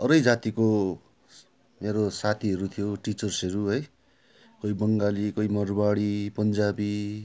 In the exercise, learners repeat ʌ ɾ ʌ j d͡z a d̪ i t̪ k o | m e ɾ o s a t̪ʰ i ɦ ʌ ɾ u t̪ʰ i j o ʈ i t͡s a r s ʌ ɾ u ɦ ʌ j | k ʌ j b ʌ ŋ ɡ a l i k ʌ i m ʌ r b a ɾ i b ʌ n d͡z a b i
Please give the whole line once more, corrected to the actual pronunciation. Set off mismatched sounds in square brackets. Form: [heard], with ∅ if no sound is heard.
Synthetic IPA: ʌ ɾ ʌ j d͡z a [t̪] i [∅] k o | m e ɾ o s a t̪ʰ i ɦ ʌ ɾ u t̪ʰ i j o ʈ i t͡s [ʌ] r s ʌ ɾ u ɦ ʌ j | k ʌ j b ʌ ŋ ɡ a l i k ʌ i m ʌ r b a [ɽ] i [p] ʌ n d͡z a b i